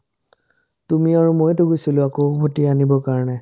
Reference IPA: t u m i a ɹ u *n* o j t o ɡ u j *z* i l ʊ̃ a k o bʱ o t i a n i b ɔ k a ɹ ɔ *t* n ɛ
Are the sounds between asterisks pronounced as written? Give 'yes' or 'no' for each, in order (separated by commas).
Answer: no, no, no